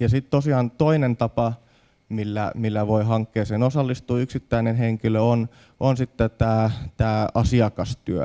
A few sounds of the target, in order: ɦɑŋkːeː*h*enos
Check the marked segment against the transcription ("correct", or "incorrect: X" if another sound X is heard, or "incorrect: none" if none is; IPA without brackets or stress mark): incorrect: s